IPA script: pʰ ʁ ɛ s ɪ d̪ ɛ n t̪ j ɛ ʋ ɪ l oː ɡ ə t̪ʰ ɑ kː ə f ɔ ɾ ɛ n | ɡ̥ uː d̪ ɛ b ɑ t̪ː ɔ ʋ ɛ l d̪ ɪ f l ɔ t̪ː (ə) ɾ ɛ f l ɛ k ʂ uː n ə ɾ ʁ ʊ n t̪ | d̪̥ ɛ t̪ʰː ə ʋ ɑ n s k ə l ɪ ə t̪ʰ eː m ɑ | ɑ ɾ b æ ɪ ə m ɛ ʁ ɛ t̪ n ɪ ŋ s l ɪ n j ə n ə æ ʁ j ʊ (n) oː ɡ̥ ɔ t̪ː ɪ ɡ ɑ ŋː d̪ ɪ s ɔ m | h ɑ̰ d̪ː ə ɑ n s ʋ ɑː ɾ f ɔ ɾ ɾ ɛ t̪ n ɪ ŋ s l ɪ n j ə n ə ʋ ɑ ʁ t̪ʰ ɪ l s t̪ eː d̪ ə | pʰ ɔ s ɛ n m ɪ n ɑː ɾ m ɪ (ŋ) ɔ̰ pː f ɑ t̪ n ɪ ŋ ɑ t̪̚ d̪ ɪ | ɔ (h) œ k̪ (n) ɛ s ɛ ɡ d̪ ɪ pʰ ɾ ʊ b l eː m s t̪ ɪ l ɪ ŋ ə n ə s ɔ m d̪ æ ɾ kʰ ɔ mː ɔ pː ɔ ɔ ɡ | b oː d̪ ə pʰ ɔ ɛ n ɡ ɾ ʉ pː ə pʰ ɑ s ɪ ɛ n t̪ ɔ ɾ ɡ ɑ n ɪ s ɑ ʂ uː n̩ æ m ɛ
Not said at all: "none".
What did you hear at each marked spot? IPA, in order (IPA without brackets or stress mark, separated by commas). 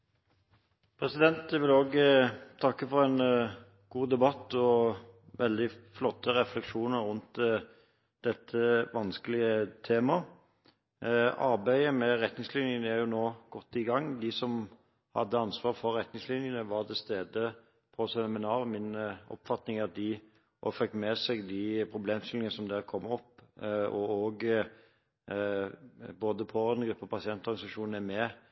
ə, n, n, f, m